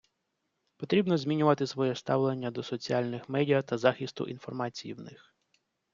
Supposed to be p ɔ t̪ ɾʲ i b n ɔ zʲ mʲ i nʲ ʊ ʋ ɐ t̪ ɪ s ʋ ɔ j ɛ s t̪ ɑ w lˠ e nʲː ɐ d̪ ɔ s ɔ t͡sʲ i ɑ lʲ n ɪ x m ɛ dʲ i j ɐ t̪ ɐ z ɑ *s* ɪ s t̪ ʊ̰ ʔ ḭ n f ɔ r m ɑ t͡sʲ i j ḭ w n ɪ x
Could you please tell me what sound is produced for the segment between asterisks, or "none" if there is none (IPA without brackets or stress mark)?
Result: x